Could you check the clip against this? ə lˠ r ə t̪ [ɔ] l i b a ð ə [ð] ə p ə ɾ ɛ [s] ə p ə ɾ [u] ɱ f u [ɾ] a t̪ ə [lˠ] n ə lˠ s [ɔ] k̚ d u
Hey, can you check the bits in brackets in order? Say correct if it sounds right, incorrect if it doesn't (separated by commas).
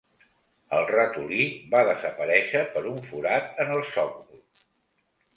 incorrect, incorrect, incorrect, correct, correct, incorrect, correct